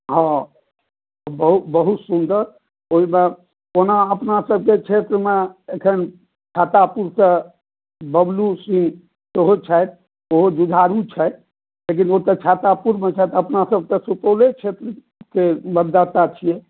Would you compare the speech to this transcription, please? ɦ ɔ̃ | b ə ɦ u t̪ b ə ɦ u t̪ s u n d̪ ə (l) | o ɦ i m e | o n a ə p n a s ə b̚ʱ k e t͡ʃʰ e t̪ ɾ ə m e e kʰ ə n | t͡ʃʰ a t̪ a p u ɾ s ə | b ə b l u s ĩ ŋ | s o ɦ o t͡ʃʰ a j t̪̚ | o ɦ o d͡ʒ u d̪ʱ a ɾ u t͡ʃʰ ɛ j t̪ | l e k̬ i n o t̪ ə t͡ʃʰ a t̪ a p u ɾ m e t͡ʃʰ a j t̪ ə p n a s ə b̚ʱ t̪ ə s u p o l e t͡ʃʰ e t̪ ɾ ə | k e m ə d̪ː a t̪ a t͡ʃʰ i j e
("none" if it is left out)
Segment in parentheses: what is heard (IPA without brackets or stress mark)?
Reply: ɾ